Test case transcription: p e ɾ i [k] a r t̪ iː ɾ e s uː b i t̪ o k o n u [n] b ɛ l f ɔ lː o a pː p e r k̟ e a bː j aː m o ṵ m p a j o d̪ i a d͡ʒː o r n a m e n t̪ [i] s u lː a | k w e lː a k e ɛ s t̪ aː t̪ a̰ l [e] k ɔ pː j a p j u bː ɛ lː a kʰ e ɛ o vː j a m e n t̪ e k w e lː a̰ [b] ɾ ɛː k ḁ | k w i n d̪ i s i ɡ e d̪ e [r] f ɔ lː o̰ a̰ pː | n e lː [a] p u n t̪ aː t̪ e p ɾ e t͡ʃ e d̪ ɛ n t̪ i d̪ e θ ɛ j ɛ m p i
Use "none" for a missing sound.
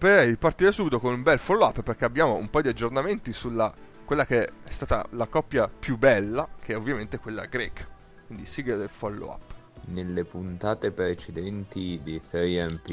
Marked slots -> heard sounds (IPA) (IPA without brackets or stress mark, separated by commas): p, m, i, a, ɡ, l, e